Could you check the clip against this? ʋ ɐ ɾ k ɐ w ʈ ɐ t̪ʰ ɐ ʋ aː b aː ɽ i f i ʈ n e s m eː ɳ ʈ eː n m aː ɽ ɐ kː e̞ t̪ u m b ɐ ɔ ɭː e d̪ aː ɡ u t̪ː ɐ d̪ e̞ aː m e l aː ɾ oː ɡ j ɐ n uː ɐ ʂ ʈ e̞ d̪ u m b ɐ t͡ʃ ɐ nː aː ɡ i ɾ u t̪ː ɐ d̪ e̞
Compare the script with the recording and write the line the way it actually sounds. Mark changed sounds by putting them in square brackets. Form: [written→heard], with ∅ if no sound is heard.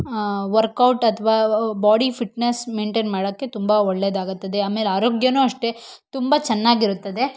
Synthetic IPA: ʋ ɐ ɾ k ɐ w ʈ ɐ t̪ʰ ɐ ʋ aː b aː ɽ i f i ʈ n e s m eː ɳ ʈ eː n m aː ɽ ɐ kː e̞ t̪ u m b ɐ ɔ ɭː e d̪ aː ɡ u t̪ː ɐ d̪ e̞ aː m e l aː ɾ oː ɡ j ɐ n uː ɐ ʂ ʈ e̞ [d̪→t̪] u m b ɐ t͡ʃ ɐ nː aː ɡ i ɾ u t̪ː ɐ d̪ e̞